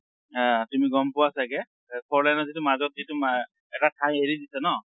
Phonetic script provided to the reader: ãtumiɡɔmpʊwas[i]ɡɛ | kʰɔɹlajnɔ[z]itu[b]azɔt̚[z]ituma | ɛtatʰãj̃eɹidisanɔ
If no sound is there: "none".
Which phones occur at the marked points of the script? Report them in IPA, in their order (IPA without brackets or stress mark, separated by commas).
a, z, m, z